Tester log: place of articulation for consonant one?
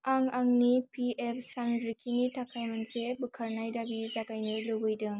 velar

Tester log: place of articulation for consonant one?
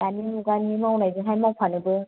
alveolar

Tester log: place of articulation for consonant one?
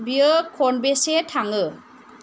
labial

